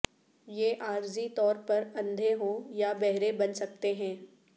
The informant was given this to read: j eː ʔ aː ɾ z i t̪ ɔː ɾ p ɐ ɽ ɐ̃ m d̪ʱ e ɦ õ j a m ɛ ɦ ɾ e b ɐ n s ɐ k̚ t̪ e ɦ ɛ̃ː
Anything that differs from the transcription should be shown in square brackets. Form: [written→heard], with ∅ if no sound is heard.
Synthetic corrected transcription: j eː ʔ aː ɾ z i t̪ ɔː ɾ p ɐ [ɽ→ɾ] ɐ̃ [m→n] d̪ʱ e ɦ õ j a [m→b] ɛ ɦ ɾ e b ɐ n s ɐ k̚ t̪ e ɦ ɛ̃ː